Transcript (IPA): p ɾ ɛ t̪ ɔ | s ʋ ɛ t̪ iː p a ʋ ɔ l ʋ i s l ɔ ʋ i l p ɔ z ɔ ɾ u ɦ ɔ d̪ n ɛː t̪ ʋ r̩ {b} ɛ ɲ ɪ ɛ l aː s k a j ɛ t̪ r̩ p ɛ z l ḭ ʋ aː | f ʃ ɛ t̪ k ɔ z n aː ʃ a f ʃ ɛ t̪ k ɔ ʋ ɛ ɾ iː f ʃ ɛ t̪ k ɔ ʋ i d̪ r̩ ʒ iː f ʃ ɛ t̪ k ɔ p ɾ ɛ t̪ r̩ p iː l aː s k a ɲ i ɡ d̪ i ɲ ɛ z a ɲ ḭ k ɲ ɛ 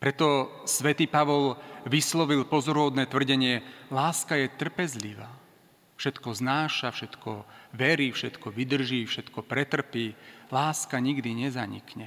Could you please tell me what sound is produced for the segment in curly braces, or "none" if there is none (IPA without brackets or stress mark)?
ɟ